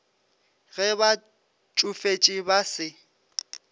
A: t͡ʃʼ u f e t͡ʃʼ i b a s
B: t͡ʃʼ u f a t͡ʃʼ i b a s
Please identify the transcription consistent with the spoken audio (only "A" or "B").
A